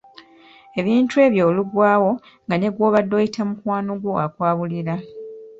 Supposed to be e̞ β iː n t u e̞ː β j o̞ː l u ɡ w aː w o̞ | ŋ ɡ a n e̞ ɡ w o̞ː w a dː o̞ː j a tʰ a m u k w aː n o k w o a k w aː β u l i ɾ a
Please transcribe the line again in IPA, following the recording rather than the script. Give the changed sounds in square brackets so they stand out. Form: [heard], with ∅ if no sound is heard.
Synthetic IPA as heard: e̞ β iː n t u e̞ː β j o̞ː l u ɡ w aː w o̞ | ŋ ɡ a n e̞ ɡ w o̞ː [β] a dː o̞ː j [i] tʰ a m u k w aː n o [ɡ] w o a k w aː β u l i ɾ a